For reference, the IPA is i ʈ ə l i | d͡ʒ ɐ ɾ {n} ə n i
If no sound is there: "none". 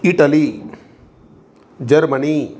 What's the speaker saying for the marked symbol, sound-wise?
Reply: m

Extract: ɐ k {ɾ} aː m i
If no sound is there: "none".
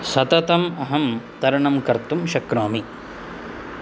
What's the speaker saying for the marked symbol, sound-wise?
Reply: ɾ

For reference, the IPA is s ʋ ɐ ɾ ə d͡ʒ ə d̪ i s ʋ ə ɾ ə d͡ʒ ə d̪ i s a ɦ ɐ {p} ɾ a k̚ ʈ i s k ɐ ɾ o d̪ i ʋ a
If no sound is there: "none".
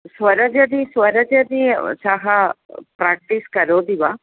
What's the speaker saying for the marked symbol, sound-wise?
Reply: p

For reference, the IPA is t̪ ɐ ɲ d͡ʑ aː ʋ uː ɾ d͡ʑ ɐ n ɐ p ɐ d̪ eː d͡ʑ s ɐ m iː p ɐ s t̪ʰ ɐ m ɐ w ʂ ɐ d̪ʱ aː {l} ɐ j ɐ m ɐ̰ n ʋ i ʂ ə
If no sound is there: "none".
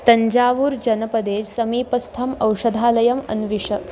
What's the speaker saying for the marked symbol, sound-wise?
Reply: l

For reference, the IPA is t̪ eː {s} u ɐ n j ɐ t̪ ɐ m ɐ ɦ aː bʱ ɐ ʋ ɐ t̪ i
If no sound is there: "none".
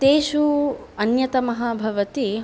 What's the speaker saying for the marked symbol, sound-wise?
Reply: ʃ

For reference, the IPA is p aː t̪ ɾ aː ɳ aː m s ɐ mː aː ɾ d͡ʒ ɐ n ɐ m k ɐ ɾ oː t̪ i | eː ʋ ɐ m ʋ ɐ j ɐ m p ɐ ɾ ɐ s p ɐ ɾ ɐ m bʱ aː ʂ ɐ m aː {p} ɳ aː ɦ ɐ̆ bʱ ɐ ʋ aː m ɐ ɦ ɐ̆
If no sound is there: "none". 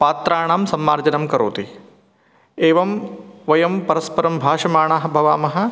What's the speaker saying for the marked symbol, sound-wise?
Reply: none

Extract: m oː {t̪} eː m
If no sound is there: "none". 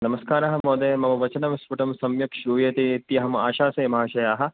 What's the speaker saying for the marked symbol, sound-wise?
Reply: d̪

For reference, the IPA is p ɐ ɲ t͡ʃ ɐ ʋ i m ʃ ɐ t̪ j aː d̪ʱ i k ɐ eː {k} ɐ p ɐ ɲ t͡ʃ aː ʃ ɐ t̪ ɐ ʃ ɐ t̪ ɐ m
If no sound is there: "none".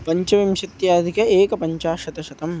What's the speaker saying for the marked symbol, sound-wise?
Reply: k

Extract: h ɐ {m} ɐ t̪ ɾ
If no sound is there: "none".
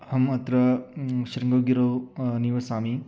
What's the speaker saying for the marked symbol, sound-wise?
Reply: m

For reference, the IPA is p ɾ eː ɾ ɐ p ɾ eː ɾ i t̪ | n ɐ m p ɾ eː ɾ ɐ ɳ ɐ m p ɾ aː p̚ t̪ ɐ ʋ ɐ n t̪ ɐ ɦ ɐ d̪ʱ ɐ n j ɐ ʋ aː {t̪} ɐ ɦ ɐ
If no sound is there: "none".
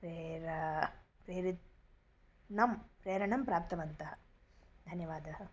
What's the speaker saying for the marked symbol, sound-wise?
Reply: d̪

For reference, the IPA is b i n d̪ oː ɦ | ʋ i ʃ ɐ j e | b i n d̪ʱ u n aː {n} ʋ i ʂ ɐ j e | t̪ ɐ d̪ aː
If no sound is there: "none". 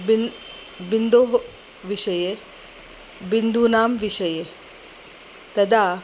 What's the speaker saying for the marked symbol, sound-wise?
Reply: m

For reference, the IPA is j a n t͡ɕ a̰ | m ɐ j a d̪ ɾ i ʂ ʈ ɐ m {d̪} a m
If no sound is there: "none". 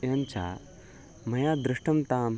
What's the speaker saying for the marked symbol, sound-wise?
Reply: t̪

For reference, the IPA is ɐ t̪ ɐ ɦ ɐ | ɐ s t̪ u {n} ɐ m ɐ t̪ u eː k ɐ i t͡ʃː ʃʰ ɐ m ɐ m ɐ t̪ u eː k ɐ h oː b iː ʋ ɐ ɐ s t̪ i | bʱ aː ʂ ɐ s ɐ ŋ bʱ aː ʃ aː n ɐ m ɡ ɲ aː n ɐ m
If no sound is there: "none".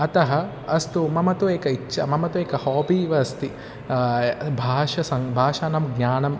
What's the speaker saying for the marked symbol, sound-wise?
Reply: m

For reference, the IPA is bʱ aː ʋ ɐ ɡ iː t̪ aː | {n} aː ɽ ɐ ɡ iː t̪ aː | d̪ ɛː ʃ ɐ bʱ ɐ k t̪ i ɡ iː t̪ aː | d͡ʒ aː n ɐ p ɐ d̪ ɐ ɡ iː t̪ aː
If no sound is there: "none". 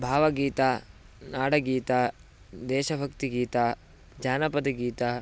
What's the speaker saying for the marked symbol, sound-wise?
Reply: n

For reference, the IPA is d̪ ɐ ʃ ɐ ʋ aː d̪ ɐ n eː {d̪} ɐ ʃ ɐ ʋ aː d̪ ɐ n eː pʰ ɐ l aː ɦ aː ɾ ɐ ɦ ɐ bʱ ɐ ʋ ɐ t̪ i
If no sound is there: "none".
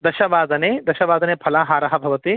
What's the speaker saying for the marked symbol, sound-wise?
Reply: d̪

